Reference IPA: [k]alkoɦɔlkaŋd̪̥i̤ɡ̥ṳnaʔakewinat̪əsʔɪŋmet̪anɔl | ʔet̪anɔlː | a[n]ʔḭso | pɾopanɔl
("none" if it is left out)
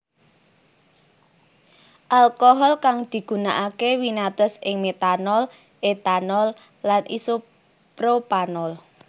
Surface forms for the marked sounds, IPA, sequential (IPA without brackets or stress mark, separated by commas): ʔ, n